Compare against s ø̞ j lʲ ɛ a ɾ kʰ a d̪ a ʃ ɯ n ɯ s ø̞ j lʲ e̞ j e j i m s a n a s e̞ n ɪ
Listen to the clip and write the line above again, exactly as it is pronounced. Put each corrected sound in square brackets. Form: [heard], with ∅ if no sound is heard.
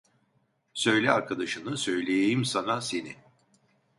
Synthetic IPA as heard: s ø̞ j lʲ ɛ a ɾ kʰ a d̪ a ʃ ɯ n ɯ s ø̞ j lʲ e̞ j e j i m s a n a s e̞ n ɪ